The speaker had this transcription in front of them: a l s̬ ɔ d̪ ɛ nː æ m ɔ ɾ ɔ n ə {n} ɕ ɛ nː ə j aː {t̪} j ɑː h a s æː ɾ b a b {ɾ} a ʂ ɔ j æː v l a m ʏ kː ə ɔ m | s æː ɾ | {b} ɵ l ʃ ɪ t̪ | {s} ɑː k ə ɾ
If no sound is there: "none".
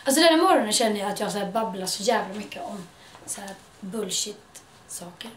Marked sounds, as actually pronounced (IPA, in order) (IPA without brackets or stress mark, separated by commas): n, t̪, l, b, s